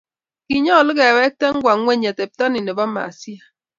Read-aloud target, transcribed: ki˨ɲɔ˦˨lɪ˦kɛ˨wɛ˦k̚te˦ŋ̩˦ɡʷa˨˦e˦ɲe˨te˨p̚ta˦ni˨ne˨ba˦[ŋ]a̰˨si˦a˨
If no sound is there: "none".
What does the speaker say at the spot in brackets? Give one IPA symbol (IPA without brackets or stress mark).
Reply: m